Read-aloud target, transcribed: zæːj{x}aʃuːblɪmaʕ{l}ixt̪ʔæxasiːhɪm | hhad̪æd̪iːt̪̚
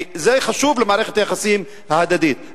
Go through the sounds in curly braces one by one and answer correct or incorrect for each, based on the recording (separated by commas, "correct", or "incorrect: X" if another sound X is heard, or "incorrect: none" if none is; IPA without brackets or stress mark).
correct, incorrect: ɾ